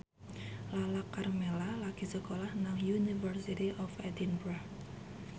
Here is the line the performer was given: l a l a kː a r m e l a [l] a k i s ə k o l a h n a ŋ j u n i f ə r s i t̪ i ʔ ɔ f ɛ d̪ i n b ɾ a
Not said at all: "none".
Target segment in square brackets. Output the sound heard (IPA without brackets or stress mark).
l